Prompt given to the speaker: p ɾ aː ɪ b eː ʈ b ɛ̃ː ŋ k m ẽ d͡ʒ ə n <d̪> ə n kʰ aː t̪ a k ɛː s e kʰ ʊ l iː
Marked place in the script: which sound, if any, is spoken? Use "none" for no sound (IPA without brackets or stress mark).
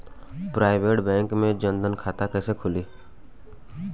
d̪